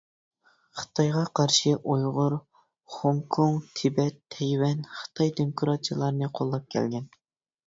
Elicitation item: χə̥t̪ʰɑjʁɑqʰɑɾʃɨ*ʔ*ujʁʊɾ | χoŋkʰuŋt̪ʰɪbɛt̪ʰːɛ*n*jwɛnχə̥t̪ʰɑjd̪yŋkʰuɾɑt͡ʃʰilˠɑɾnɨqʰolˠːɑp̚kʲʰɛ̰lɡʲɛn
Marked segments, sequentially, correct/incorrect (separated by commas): correct, incorrect